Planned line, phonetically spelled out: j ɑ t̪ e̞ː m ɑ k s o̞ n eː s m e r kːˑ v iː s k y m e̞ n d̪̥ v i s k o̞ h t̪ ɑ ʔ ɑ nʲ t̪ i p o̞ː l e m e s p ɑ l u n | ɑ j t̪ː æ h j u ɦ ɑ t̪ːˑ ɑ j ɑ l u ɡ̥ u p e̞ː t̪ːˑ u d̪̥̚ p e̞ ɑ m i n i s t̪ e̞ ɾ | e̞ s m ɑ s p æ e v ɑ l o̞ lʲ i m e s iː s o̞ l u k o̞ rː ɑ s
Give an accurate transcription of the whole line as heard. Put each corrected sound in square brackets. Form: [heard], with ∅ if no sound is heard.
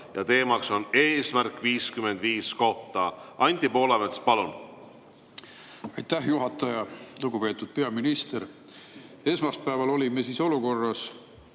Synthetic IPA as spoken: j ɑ t̪ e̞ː m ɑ k s o̞ n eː s m [æ] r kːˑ v iː s k y m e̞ n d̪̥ v [iː] s k o̞ h t̪ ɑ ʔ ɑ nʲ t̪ i p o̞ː l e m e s p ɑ l u n | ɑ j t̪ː æ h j u ɦ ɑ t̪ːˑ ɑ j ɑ l u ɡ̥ u p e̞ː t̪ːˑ u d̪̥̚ p e̞ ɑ m i n i s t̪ e̞ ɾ | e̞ s m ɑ s p æ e v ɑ l o̞ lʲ i m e s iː s o̞ l u k o̞ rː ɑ s